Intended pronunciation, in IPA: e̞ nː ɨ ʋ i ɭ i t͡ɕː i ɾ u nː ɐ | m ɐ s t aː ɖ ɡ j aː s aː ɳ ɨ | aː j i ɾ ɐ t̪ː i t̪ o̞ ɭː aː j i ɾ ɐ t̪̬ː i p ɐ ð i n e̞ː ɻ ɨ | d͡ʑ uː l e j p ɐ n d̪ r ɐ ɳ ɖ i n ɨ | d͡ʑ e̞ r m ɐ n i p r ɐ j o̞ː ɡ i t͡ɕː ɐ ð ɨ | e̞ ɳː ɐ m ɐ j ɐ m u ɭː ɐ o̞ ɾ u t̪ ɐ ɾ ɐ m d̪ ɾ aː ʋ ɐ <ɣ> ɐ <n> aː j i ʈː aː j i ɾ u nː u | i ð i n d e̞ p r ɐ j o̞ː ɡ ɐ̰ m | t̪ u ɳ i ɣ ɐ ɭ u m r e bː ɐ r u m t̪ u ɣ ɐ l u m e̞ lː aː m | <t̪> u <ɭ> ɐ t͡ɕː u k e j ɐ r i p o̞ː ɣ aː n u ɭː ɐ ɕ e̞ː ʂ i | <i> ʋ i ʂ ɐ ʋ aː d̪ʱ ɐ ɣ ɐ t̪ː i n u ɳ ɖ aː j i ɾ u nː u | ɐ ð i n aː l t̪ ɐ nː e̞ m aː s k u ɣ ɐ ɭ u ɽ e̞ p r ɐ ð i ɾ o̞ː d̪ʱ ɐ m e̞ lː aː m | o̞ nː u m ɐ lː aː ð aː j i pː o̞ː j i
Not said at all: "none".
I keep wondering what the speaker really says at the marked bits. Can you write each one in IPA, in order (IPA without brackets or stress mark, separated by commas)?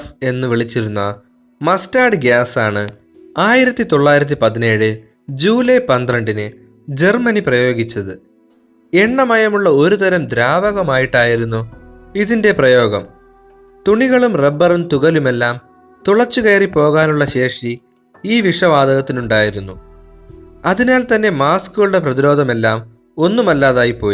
ɣ, m, t̪, ɭ, iː